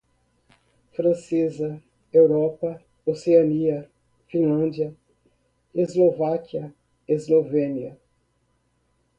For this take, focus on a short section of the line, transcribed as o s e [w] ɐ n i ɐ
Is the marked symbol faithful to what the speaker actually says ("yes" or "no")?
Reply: no